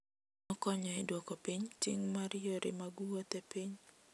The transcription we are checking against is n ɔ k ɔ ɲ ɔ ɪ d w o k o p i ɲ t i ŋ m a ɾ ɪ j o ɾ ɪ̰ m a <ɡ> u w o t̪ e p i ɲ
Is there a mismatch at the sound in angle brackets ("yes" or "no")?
no